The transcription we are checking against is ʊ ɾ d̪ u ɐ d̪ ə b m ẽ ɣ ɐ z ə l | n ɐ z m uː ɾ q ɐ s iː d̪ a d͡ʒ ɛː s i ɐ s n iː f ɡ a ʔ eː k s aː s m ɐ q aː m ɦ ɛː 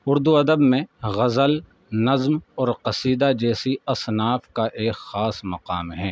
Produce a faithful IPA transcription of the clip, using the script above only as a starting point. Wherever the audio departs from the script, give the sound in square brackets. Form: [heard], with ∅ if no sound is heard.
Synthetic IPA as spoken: ʊ ɾ d̪ u ɐ d̪ ə b m ẽ ɣ ɐ z ə l | n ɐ z m [ɔː] ɾ q ɐ s iː d̪ a d͡ʒ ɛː s i ɐ s n [aː] f [k] a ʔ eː k [x] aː s m ɐ q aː m ɦ ɛː

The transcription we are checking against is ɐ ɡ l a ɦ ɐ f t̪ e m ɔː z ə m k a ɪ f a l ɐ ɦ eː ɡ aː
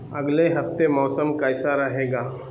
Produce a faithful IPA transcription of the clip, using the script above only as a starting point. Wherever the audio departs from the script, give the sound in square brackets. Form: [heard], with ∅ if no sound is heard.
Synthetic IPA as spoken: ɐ ɡ l [e] ɦ ɐ f t̪ e m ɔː [s] ə m k a ɪ [s] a [ɾ] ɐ ɦ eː ɡ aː

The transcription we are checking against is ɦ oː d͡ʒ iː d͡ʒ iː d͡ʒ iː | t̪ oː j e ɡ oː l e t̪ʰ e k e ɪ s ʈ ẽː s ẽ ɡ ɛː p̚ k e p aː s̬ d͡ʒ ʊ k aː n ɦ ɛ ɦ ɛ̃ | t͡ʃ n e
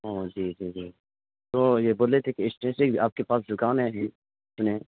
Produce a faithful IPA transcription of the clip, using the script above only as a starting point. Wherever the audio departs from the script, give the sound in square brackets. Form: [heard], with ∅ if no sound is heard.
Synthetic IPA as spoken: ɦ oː d͡ʒ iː d͡ʒ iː d͡ʒ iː | t̪ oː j e [b] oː l e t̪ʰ e k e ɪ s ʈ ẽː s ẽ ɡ [aː] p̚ k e p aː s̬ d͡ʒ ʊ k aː n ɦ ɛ ɦ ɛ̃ | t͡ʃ n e

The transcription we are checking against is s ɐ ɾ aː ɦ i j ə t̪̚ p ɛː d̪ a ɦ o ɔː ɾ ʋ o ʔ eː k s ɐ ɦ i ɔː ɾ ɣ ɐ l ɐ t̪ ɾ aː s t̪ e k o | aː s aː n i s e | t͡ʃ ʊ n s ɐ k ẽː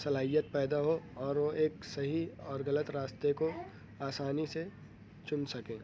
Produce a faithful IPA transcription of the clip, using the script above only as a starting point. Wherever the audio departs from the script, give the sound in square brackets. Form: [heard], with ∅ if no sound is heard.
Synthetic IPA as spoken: s ɐ [l] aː ɦ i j ə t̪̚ p ɛː d̪ a ɦ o ɔː ɾ ʋ o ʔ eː k s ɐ ɦ i ɔː ɾ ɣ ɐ l [ə] t̪ ɾ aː s t̪ e k o | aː s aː n i s e | t͡ʃ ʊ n s ɐ k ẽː

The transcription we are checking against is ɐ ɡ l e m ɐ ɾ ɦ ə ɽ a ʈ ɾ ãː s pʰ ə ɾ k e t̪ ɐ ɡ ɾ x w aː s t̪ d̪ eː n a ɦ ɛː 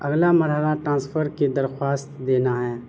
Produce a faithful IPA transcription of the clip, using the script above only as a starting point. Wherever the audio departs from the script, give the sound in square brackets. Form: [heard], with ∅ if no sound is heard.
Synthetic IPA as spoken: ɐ ɡ l [a] m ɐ ɾ ɦ ə [l] a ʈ ɾ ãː s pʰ ə ɾ k e [d̪] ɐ [∅] ɾ x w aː s t̪ d̪ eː n a ɦ ɛː

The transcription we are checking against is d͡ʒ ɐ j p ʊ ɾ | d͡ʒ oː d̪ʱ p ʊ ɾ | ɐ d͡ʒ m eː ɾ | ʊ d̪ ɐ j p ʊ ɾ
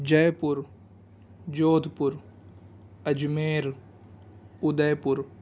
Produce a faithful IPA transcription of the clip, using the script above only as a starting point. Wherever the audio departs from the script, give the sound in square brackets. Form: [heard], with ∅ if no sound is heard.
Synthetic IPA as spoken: d͡ʒ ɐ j p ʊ ɾ | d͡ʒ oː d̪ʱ p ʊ ɾ | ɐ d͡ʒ m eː ɾ | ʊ d̪ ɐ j p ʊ ɾ

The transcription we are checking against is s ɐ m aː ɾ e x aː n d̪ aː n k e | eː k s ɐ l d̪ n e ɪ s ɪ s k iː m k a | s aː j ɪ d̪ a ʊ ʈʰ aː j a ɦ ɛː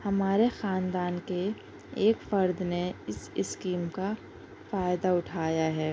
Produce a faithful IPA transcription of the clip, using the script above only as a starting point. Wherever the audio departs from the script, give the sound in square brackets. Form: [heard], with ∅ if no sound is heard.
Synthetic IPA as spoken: [h] ɐ m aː ɾ e x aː n d̪ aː n k e | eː k [f] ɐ [ɾ] d̪ n e ɪ s ɪ s k iː m k a | [f] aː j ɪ d̪ a ʊ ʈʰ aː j a ɦ ɛː

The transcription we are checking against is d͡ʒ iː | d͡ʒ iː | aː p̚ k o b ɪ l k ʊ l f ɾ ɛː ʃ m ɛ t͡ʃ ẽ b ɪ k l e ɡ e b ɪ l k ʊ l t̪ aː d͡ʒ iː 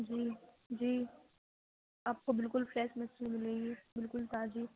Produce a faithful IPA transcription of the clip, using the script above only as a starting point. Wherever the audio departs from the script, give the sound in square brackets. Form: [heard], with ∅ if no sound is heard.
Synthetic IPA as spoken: d͡ʒ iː | d͡ʒ iː | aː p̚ k o b ɪ l k ʊ l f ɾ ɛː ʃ m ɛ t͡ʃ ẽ [m] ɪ [∅] l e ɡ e b ɪ l k ʊ l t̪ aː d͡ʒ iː

